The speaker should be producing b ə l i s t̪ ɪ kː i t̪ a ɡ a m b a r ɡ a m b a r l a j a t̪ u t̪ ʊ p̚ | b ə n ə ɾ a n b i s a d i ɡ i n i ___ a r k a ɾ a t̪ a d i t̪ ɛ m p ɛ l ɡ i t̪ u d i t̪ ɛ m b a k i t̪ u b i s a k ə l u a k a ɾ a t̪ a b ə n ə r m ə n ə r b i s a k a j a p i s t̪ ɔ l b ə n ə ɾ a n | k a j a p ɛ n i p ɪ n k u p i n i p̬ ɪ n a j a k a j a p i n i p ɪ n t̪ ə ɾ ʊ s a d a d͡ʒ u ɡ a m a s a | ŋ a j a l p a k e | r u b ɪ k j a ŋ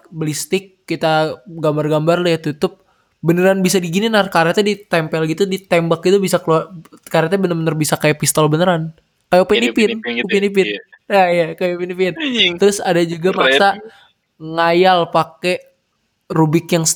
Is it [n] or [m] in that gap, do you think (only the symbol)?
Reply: n